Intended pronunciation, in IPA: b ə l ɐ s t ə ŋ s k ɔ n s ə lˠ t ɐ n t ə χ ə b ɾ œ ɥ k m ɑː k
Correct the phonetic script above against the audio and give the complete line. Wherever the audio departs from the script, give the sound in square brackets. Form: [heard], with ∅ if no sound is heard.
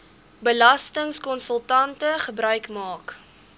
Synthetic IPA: b ə l ɐ s t ə ŋ s k ɔ n s ə lˠ t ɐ n t ə χ ə b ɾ œ ɥ k m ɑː k

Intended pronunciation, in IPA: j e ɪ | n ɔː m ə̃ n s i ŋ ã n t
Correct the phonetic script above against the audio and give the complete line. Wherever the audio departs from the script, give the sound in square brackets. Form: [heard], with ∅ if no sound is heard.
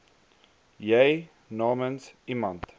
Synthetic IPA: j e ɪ | n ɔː m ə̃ n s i [m] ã n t

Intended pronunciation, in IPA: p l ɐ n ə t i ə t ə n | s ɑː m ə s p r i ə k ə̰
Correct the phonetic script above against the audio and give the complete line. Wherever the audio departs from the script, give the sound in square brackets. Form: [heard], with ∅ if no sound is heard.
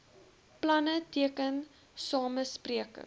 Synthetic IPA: p l ɐ n ə t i ə [k] ə n | s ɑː m ə s p r i ə k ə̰

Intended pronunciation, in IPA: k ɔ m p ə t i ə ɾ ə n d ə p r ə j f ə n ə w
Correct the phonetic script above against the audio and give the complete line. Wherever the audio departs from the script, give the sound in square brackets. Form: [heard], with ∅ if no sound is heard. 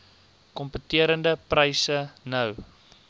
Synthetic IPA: k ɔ m p ə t i ə ɾ ə n d ə p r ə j [s] ə n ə w

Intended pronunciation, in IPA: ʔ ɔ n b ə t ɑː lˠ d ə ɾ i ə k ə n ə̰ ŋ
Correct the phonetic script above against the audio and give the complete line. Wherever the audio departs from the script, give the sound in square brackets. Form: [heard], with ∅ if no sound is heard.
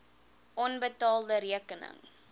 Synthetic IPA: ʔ ɔ n b ə t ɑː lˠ d ə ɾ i ə k ə n ə̰ ŋ

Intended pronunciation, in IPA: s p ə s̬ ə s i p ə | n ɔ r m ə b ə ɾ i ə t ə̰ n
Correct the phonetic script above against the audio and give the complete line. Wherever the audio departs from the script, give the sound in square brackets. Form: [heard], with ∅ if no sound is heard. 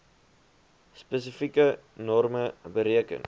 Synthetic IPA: s p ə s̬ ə [f] i [k] ə | n ɔ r m ə b ə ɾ i ə [k] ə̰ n

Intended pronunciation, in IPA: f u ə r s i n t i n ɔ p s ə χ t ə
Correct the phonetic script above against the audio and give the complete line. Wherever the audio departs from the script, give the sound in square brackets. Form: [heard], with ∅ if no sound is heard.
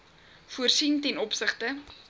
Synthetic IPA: f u ə r s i n t [ɛ] n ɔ p s ə χ t ə

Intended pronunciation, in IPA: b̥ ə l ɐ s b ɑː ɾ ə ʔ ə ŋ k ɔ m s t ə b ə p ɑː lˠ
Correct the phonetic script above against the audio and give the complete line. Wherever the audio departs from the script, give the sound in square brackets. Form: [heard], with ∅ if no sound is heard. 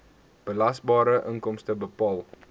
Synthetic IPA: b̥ ə l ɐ s b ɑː ɾ ə ʔ ə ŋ k ɔ m s t ə b ə p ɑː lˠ

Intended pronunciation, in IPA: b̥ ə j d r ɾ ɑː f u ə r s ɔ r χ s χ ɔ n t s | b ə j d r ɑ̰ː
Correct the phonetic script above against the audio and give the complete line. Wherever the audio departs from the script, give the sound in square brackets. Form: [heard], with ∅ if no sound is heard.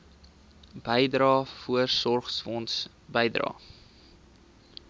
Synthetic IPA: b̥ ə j d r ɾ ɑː f u ə r s ɔ r χ s [f] ɔ n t s | b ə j d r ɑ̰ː

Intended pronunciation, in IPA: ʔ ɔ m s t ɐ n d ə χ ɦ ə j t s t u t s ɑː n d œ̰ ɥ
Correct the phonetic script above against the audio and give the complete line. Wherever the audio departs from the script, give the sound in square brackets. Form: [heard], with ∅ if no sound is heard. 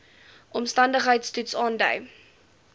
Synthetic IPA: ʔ ɔ m s t ɐ n d ə χ ɦ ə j t s t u t s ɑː n d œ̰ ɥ

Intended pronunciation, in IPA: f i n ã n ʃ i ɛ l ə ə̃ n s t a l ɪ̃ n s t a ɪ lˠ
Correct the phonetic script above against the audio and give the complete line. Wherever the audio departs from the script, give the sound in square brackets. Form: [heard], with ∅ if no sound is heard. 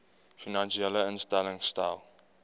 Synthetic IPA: f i n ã n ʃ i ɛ l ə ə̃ n s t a l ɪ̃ [ŋ] s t a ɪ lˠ

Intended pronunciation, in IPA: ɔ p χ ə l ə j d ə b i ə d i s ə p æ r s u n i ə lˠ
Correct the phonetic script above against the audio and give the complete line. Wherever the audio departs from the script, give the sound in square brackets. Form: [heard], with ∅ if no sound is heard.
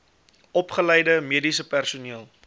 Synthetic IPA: ɔ p χ ə l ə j d ə [m] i ə d i s ə p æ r s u n i ə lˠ

